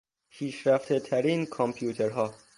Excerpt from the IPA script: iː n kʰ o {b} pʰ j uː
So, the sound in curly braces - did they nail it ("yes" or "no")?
no